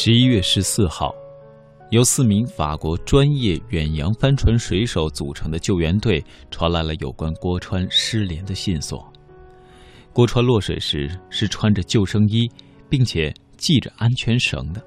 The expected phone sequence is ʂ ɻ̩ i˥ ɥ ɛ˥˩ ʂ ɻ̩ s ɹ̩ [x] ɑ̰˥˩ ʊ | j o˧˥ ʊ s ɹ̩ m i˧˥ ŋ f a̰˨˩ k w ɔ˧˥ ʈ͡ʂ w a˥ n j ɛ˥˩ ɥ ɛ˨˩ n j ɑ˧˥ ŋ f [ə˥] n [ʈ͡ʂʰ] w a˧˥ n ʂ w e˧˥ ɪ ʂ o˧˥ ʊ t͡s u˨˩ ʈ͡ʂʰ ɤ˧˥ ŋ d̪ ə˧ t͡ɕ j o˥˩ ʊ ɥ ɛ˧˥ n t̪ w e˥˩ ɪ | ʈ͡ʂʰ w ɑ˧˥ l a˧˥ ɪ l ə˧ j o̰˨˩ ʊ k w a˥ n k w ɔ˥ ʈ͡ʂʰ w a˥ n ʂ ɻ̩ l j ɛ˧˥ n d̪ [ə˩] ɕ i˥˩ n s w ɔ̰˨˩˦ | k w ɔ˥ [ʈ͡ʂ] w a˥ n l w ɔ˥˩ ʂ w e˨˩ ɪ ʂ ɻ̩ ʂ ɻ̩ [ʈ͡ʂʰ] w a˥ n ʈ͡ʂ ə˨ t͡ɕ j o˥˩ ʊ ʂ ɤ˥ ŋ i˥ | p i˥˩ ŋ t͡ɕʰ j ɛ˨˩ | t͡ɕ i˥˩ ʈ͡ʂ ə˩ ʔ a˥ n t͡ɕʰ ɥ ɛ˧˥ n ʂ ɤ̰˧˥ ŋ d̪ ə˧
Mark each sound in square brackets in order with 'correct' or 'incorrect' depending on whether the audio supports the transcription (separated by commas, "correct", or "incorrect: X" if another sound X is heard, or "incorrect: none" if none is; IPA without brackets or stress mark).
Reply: correct, incorrect: a˥, correct, incorrect: ə˧, incorrect: ʈ͡ʂʰ, correct